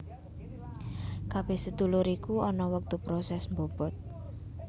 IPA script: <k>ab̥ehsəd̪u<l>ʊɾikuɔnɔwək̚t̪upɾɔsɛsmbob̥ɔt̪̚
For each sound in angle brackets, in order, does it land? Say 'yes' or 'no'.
yes, yes

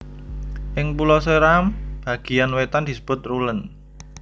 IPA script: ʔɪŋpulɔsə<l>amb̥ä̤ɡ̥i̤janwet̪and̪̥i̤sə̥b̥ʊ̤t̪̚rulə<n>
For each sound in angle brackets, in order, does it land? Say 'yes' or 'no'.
no, yes

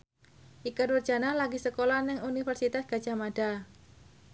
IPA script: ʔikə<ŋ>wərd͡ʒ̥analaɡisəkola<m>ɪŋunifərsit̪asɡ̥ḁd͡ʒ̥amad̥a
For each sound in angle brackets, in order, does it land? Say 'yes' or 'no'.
no, no

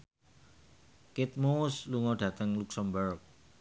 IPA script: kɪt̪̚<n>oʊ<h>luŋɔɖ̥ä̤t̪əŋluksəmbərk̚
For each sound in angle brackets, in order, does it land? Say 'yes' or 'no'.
no, no

